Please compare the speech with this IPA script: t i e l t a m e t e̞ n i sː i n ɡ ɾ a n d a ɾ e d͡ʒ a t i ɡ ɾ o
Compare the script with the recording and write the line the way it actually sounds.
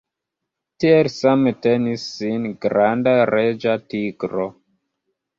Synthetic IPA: t i e l s a m e t e̞ n i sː i n ɡ ɾ a n d a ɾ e d͡ʒ a t i ɡ ɾ o